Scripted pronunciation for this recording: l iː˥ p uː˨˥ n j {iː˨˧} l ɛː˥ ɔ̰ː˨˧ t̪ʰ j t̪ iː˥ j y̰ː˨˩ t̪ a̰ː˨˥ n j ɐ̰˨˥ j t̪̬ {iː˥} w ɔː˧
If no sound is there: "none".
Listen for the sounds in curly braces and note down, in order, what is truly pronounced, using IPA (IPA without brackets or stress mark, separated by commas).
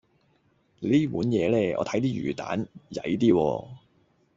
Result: ɛː˨˧, iː˥